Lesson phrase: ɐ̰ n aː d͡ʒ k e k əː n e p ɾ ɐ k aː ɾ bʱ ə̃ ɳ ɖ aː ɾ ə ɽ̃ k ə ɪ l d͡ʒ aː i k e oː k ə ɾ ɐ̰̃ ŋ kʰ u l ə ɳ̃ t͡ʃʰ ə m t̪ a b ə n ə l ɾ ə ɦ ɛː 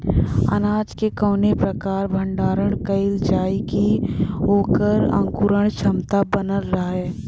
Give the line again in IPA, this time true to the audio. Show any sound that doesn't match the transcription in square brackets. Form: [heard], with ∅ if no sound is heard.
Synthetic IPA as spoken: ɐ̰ n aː d͡ʒ k e k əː n e p ɾ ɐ k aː ɾ bʱ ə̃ ɳ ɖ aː ɾ ə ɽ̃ k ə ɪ l d͡ʒ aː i k [i] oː k ə ɾ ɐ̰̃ ŋ [k] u [ɾ] ə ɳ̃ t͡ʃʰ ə m t̪ a b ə n ə l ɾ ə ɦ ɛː